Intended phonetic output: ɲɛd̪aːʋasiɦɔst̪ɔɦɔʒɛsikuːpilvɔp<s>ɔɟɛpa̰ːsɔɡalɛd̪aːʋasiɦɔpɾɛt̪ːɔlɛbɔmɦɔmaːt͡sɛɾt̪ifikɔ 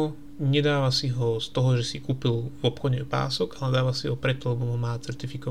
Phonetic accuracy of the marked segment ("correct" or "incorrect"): incorrect